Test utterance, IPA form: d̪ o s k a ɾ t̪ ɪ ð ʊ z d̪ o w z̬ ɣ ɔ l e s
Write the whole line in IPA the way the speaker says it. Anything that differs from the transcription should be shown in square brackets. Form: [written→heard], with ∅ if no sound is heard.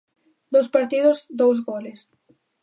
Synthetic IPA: d̪ o s [k→p] a ɾ t̪ [ɪ→i] ð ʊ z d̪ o w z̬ ɣ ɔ l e s